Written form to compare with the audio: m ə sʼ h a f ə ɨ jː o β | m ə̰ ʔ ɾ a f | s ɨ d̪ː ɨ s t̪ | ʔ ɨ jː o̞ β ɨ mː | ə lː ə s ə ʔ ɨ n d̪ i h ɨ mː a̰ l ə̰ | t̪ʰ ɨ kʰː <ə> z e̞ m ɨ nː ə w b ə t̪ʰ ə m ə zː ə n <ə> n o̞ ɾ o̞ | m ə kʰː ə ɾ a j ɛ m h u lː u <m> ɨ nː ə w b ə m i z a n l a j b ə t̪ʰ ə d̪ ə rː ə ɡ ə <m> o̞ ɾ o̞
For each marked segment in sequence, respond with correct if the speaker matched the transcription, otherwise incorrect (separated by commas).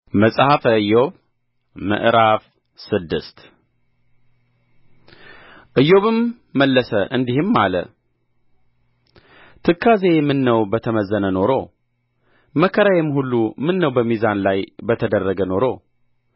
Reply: incorrect, correct, correct, incorrect